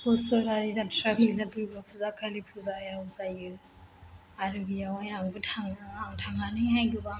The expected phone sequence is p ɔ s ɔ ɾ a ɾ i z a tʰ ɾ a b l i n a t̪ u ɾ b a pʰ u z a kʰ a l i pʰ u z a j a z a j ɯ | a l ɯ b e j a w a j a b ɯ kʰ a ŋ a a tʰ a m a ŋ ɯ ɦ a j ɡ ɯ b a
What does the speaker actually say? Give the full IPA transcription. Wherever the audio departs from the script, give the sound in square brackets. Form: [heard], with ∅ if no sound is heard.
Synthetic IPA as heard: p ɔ s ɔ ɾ a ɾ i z a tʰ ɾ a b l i n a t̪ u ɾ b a pʰ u z a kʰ a l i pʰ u z a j a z a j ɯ | a [ɾ] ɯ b [i] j a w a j a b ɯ [tʰ] a ŋ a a tʰ a [ŋ] a [n] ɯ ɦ a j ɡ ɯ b a

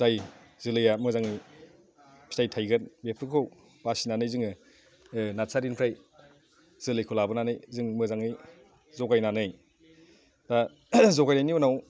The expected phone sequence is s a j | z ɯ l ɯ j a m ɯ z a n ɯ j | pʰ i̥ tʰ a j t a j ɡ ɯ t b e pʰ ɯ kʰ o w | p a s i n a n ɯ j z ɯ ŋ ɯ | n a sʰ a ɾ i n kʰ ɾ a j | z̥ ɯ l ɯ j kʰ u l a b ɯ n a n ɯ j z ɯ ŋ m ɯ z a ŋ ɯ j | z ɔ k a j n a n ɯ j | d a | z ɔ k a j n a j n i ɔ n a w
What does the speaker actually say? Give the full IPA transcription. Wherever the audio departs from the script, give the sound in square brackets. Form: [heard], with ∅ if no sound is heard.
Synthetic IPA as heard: [z] a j | z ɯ l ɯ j a m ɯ z a [ŋ] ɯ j | pʰ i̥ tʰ a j [tʰ] a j ɡ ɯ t b e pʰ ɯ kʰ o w | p a s i n a n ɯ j z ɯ ŋ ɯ | n a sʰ a ɾ i n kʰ ɾ a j | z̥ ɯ l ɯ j kʰ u l a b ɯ n a n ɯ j z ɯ ŋ m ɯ z a ŋ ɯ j | z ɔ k a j n a n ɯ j | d a | z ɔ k a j n a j n i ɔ n a w

